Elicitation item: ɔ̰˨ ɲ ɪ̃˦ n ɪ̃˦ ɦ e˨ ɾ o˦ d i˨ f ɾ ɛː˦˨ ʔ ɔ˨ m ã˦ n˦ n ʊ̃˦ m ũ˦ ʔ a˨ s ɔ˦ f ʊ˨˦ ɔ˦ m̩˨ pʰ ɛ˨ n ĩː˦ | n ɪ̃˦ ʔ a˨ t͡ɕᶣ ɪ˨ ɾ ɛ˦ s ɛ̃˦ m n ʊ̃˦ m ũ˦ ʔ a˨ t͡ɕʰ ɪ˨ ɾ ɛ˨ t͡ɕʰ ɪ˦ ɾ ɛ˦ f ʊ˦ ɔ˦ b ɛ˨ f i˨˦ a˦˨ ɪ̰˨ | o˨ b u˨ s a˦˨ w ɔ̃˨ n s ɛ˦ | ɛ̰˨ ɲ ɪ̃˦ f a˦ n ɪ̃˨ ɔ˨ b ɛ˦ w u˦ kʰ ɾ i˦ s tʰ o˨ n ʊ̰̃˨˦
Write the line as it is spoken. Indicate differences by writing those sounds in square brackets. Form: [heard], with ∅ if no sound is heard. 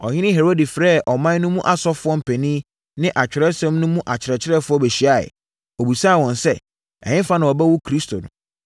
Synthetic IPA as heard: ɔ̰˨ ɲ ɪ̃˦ n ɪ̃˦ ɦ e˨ ɾ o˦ d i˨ f ɾ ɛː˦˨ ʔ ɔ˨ m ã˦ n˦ n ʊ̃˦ m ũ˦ ʔ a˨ s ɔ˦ f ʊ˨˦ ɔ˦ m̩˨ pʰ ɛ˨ n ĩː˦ | n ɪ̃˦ ʔ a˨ t͡ɕᶣ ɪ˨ ɾ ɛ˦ s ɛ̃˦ m n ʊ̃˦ m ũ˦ ʔ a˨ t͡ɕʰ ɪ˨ ɾ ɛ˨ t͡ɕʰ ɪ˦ ɾ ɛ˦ f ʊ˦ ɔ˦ b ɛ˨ [ɕ] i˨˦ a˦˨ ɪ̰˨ | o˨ b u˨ s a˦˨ w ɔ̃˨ n s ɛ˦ | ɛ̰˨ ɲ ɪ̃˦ f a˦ n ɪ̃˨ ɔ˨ b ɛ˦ w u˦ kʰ ɾ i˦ s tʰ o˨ n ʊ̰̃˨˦